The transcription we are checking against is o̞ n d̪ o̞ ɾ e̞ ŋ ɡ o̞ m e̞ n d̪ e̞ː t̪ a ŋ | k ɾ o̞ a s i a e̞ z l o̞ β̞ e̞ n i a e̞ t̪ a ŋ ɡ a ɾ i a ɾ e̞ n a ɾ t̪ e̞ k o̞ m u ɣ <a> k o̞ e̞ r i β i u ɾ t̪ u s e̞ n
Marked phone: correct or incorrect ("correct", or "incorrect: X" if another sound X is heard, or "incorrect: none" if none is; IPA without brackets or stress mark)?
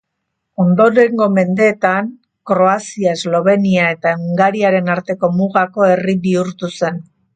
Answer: correct